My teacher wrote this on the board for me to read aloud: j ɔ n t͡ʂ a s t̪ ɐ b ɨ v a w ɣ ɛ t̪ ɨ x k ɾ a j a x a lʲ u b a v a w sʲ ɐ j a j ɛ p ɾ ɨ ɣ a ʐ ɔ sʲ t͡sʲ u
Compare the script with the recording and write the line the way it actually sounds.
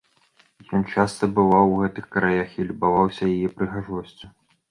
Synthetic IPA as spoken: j ɔ n t͡ʂ a s t̪ ɐ b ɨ v a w ɣ ɛ t̪ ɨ x k ɾ a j a x i lʲ u b a v a w sʲ ɐ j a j ɛ p ɾ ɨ ɣ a ʐ ɔ sʲ t͡sʲ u